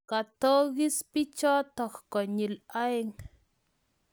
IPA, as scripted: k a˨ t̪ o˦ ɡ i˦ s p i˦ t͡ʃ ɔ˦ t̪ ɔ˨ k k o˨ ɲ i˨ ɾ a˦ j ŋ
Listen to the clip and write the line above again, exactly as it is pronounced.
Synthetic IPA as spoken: k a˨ t̪ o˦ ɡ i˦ s p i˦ t͡ʃ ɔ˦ t̪ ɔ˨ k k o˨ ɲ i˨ l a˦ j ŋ